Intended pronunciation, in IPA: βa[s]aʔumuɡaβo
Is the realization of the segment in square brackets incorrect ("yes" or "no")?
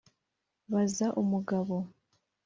yes